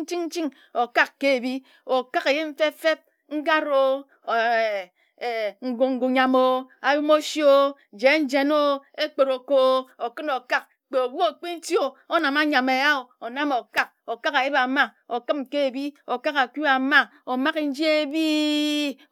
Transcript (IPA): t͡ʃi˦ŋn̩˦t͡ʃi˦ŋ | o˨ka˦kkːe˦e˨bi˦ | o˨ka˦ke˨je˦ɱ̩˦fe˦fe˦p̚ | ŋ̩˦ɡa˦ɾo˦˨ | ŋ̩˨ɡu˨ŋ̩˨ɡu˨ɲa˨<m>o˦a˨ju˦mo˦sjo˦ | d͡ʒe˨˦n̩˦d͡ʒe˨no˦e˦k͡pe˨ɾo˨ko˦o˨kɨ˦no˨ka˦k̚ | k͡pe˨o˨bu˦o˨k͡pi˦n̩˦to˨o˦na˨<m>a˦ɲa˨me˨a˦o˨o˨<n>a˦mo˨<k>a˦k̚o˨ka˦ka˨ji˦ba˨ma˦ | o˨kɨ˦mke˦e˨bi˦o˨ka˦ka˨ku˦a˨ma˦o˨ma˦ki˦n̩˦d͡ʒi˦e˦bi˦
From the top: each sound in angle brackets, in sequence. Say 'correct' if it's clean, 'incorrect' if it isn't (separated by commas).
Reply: correct, correct, correct, correct